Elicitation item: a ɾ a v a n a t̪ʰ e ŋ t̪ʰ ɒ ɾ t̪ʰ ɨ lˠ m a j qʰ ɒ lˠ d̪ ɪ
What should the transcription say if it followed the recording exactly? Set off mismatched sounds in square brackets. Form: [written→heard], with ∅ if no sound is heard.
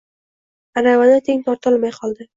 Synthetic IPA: a ɾ a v a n a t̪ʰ e ŋ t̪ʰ ɒ ɾ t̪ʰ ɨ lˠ m a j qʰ ɒ lˠ d̪ ɪ